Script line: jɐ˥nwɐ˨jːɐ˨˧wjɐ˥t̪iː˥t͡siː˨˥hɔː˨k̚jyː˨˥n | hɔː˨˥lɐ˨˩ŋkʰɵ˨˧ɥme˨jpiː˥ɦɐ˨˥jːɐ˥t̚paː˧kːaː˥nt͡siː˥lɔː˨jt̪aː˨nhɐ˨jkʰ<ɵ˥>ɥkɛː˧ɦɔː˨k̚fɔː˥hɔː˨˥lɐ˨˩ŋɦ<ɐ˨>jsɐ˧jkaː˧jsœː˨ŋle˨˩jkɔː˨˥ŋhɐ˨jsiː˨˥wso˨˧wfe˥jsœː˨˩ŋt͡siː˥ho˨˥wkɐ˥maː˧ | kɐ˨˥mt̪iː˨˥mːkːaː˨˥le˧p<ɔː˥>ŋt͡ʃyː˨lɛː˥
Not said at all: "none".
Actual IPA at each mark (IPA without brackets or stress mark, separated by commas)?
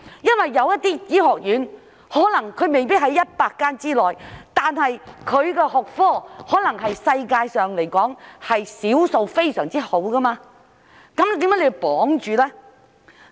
ɵ˨˧, ɐ˨, ɔː˨˥